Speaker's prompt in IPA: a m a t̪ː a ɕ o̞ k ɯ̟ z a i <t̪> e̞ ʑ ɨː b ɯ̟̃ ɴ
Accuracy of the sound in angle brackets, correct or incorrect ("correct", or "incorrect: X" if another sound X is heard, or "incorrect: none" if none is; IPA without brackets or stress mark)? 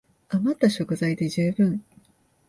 incorrect: d̪